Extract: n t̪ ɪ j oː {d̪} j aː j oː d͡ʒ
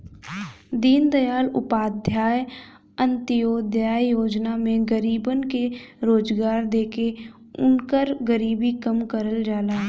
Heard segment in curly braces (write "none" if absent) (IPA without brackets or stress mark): d̪